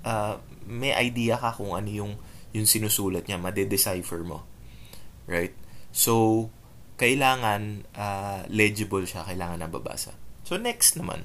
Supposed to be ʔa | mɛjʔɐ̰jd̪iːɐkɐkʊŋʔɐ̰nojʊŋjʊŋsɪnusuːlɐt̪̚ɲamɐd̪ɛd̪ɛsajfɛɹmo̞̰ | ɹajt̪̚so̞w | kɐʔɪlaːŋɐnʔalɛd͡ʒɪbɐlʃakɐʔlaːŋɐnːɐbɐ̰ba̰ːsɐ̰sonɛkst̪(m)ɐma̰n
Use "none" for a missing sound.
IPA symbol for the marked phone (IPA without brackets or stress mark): n